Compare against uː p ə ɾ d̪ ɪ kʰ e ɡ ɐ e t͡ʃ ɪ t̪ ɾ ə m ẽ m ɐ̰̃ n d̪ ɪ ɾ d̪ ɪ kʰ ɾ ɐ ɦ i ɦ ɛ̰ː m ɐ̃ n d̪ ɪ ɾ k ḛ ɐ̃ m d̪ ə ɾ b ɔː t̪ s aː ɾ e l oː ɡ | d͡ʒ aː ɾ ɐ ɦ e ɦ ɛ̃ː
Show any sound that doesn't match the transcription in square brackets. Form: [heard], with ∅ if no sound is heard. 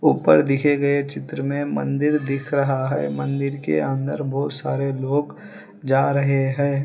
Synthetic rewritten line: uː p ə ɾ d̪ ɪ kʰ e ɡ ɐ e t͡ʃ ɪ t̪ ɾ ə m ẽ m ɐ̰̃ n d̪ ɪ ɾ d̪ ɪ kʰ ɾ ɐ ɦ [a] ɦ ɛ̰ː m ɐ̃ n d̪ ɪ ɾ k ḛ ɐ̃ [n] d̪ ə ɾ b ɔː t̪ s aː ɾ e l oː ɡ | d͡ʒ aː ɾ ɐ ɦ e ɦ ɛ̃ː

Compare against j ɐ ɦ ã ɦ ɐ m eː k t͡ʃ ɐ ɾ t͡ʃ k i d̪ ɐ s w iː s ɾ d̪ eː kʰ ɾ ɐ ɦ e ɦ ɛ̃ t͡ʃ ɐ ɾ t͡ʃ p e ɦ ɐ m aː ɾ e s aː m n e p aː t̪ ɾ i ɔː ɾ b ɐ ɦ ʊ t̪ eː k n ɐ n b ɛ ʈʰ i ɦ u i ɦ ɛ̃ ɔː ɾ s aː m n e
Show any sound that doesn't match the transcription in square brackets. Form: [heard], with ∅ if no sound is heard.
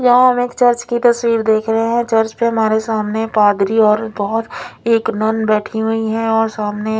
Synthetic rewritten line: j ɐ ɦ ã ɦ ɐ m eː k t͡ʃ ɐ ɾ t͡ʃ k i [t̪] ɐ s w iː [∅] ɾ d̪ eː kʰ ɾ ɐ ɦ e ɦ ɛ̃ t͡ʃ ɐ ɾ t͡ʃ p e ɦ ɐ m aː ɾ e s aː m n e p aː [d̪] ɾ i ɔː ɾ b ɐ ɦ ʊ t̪ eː k n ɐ n b [ɛː] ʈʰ i ɦ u i ɦ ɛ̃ ɔː ɾ s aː m n e

